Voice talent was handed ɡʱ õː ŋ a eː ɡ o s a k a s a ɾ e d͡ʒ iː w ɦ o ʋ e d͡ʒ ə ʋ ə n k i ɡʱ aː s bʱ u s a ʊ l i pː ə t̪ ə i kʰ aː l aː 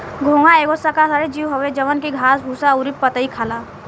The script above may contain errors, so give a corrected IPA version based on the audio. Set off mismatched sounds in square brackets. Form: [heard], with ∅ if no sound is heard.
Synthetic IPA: ɡʱ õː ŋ a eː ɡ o s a k a s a ɾ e d͡ʒ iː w ɦ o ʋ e d͡ʒ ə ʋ ə n k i ɡʱ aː s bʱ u s a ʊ [ɾ] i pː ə t̪ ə i kʰ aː l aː